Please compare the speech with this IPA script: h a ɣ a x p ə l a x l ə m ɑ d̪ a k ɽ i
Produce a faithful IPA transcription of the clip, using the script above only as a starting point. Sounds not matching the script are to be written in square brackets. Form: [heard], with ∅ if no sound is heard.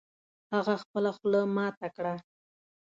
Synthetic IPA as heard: h a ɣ a x p ə l a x l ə m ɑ [t̪] a k ɽ [a]